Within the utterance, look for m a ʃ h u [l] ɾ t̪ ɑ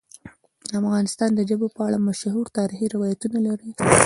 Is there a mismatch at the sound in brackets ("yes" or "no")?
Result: yes